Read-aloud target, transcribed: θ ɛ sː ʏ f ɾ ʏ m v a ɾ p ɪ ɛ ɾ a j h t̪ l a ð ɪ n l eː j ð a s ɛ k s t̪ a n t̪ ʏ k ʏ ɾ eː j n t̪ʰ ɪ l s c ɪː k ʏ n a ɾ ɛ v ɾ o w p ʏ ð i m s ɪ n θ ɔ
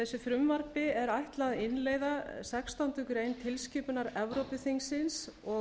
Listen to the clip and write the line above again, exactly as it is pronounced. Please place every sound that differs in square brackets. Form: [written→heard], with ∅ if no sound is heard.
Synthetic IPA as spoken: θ ɛ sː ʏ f ɾ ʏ m v a ɾ p ɪ ɛ ɾ a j h t̪ l a ð ɪ n l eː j ð a s ɛ k s t̪ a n t̪ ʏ k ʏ ɾ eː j n t̪ʰ ɪ l s c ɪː [k→p] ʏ n a ɾ ɛ v ɾ o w p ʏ [ð→θ] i [m→ŋ] s ɪ n [θ→s] ɔ

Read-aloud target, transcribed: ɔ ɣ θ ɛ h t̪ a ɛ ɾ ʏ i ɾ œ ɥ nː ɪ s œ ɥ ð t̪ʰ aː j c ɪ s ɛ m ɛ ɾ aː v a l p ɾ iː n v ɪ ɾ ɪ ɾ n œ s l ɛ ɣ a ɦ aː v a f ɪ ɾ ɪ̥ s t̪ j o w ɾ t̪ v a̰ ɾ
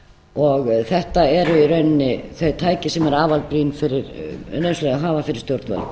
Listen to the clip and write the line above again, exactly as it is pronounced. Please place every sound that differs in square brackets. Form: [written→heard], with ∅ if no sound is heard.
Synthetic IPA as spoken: ɔ ɣ θ ɛ h t̪ a ɛ ɾ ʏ i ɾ œ ɥ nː ɪ [s→θ] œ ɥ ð t̪ʰ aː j c ɪ s ɛ m ɛ ɾ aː v a l p ɾ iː n [v→f] ɪ ɾ ɪ ɾ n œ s l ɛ ɣ a ɦ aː v a f ɪ ɾ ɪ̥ s t̪ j o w ɾ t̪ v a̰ [ɾ→l]

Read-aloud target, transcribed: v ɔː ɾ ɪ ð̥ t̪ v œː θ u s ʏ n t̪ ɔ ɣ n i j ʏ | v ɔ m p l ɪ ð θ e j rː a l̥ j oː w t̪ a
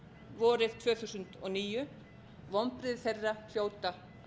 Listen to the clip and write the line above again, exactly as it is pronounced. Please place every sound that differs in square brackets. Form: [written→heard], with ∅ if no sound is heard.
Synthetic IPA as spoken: v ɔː ɾ ɪ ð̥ [t̪→t̪ʰ] v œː θ u s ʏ n t̪ ɔ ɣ n [i→iː] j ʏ | v ɔ m p [l→ɾ] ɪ ð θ e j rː a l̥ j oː w t̪ a

